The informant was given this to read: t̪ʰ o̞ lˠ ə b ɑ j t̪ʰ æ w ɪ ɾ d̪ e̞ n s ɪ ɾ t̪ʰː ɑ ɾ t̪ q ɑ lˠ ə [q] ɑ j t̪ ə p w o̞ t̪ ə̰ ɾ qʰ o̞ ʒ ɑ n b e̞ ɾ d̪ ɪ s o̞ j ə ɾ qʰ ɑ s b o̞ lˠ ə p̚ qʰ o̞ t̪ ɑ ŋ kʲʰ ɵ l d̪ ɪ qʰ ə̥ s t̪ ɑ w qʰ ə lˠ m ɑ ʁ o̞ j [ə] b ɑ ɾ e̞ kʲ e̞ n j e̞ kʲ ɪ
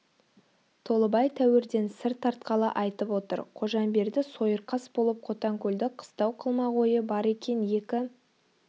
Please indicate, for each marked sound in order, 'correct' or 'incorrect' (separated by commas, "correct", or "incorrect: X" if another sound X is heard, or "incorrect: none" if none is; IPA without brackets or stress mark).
incorrect: ʔ, correct